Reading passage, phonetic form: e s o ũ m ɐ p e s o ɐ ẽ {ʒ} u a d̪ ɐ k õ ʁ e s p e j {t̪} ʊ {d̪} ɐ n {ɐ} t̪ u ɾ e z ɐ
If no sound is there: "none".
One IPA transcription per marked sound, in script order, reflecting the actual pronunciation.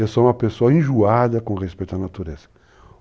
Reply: ʒ, t̪, none, a

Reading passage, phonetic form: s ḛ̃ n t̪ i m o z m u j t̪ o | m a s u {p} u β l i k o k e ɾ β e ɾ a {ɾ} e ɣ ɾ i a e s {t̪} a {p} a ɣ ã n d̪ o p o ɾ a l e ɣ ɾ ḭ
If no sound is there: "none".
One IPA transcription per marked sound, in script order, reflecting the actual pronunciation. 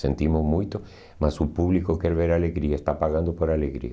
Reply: p, l, t̪, p

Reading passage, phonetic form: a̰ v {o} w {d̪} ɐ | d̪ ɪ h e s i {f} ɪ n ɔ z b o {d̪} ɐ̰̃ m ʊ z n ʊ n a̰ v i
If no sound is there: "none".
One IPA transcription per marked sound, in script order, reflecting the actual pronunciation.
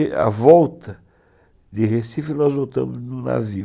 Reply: ɔ, t̪, f, t̪

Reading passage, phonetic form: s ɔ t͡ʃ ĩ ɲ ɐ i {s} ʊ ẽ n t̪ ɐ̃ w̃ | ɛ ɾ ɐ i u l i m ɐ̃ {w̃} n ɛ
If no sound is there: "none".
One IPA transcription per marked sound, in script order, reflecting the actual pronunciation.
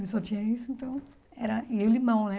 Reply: s, w̃

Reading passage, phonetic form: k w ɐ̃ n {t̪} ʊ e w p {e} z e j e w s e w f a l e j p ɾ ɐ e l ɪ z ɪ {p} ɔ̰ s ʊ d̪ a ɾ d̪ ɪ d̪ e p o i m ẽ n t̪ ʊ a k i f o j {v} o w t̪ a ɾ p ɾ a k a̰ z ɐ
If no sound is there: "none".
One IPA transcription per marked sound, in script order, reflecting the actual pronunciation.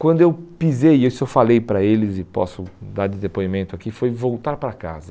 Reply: d̪, i, p, v

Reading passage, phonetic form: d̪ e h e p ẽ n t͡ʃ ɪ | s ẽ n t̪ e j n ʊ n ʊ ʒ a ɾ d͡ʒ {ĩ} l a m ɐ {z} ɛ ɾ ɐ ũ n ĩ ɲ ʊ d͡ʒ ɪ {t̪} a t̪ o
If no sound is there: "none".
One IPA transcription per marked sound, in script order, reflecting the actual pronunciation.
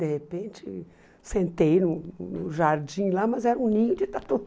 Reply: ĩ, z, t̪

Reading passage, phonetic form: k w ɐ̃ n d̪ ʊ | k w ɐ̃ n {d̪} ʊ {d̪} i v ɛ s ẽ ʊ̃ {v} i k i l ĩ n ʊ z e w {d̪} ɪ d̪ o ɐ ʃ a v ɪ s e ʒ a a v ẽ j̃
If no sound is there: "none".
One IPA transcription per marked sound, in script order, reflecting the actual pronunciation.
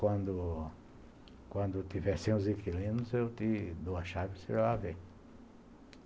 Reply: d̪, t̪, z, t̪

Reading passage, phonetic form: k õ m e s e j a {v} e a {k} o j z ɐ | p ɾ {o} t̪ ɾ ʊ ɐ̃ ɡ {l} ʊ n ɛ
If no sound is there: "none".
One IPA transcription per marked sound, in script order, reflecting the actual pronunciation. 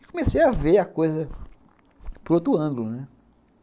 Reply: v, k, o, l

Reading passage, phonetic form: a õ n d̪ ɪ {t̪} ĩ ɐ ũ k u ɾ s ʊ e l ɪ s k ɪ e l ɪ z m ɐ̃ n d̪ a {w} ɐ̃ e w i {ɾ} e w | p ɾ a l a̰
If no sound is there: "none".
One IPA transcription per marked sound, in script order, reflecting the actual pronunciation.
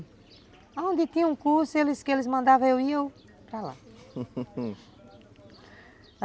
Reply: t̪, v, none

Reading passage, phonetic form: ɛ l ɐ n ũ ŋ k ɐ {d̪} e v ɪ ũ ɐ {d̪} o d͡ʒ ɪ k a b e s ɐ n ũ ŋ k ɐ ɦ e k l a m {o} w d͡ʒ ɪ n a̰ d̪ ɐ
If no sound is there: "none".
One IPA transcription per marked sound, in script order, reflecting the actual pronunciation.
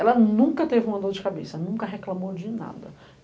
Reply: t̪, d̪, o

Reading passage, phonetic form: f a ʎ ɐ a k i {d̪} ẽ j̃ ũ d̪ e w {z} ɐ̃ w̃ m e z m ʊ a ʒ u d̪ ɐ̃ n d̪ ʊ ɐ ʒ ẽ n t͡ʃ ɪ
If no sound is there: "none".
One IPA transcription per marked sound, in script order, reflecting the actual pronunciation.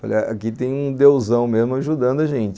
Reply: t̪, z

